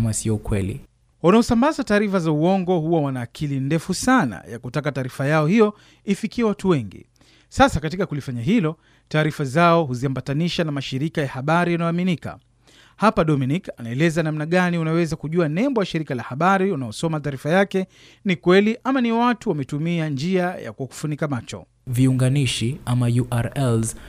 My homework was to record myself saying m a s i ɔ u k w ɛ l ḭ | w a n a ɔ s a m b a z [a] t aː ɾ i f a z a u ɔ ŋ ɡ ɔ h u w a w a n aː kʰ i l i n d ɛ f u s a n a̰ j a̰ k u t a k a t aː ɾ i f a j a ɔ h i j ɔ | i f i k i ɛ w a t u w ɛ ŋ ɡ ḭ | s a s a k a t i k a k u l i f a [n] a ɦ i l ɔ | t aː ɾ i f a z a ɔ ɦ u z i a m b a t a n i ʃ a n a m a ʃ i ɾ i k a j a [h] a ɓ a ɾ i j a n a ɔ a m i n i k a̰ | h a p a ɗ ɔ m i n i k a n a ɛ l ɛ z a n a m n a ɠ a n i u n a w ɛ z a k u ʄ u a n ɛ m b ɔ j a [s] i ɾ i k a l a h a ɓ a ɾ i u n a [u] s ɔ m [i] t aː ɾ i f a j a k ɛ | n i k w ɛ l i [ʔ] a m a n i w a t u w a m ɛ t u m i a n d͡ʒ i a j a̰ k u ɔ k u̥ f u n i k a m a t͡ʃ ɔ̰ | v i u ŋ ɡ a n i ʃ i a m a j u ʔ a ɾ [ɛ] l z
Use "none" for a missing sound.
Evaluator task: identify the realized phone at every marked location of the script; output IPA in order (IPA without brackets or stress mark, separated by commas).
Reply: a, ɲ, h, ʃ, ɔ, a, ʔ, ɛ